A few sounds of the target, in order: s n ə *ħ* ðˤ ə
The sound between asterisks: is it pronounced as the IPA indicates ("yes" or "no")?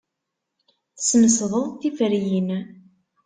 no